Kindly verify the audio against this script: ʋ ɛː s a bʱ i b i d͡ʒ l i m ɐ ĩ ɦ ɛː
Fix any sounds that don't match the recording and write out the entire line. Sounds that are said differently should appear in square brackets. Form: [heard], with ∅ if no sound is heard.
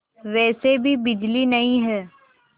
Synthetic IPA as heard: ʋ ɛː s [e] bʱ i b [ɪ] d͡ʒ l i [n] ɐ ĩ ɦ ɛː

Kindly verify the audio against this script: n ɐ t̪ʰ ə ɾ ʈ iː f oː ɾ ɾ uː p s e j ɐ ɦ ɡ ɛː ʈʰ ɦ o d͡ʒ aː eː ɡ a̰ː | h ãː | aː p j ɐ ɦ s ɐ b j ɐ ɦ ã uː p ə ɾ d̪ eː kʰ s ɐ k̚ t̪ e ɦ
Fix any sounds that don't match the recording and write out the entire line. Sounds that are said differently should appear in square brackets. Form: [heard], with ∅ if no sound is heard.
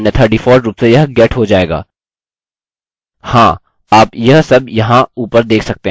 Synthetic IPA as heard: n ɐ t̪ʰ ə ɾ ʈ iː f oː ɾ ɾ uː p s e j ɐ ɦ ɡ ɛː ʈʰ ɦ o d͡ʒ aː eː ɡ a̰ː | h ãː | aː p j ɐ ɦ s ɐ b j ɐ ɦ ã uː p ə ɾ d̪ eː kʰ s ɐ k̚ t̪ e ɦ

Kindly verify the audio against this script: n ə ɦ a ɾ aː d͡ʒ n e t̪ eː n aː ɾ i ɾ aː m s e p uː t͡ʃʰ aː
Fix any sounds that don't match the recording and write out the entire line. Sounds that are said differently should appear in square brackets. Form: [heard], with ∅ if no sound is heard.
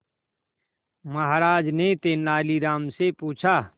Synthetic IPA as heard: [m] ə ɦ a ɾ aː d͡ʒ n e t̪ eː n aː [l] i ɾ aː m s e p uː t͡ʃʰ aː

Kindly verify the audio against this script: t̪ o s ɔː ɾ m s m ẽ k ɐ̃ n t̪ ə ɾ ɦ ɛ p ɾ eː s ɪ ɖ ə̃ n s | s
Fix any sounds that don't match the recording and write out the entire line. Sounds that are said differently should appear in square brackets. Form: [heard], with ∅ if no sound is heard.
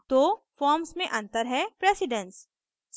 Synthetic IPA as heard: t̪ o [f] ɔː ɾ m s m ẽ [ʔ] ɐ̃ n t̪ ə ɾ ɦ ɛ p ɾ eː s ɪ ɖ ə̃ n s | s

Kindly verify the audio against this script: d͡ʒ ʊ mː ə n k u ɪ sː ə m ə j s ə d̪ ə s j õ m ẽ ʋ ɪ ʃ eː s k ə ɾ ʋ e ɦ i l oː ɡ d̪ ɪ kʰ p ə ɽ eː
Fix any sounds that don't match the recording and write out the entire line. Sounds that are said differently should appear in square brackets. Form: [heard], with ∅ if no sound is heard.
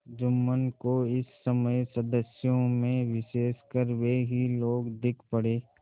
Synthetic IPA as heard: d͡ʒ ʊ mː ə n k [o] ɪ sː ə m ə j s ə d̪ ə s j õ m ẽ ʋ ɪ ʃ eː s k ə ɾ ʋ e ɦ i l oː ɡ d̪ ɪ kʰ p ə ɽ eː

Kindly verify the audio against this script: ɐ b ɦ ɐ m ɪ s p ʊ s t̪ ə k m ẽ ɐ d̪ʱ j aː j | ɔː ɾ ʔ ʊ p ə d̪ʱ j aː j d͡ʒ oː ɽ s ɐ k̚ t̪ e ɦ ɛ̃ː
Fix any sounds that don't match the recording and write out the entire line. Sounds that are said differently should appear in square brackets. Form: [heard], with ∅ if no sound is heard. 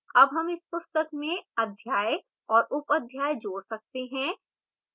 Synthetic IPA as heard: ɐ b ɦ ɐ m ɪ s p ʊ s t̪ ə k m ẽ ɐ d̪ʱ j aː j | ɔː ɾ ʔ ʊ p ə d̪ʱ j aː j d͡ʒ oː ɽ s ɐ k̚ t̪ e ɦ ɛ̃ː

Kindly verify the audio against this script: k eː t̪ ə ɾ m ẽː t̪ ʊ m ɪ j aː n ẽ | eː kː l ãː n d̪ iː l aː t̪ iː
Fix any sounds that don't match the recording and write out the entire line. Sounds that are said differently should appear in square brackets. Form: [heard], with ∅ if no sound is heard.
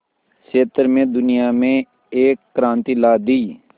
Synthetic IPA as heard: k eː t̪ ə ɾ m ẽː [d̪] ʊ [n] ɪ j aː [m] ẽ | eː kː [ɾ] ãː n [t̪] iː l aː [d̪] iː

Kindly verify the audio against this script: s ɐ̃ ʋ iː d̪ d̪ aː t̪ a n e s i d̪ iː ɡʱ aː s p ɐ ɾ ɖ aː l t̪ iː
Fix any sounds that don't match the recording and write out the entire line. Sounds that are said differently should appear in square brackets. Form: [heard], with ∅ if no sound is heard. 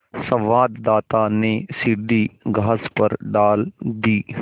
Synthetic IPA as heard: s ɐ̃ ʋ [aː] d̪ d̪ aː t̪ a n e s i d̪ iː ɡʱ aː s p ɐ ɾ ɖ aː l [d̪] iː

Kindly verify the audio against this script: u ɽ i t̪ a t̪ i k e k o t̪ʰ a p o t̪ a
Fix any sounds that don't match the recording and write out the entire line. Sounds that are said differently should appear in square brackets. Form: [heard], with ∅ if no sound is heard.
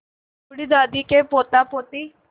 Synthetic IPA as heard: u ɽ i [d̪] a [d̪] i k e [p] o [t̪] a p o t̪ [i]

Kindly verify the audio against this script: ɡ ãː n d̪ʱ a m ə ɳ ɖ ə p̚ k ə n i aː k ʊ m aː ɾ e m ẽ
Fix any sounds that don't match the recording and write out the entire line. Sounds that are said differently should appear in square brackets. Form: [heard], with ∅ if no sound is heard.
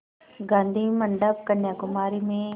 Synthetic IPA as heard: ɡ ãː n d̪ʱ [i] m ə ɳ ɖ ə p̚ k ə n [j] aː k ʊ m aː ɾ [i] m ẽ

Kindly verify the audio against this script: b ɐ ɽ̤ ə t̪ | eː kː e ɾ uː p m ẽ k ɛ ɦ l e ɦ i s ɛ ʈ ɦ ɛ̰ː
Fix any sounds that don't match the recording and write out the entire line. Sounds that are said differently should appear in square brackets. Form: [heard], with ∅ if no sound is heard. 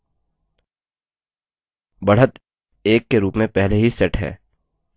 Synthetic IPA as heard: b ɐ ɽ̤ ə t̪ | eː kː e ɾ uː p m ẽ [p] ɛ ɦ l e ɦ i s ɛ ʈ ɦ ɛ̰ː

